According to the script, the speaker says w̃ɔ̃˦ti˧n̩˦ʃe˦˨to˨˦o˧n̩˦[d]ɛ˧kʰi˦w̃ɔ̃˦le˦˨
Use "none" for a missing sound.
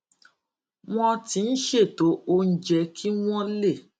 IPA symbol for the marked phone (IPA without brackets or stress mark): d͡ʒ